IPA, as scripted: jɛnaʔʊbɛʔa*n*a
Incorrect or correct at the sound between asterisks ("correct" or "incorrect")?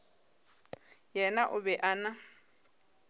correct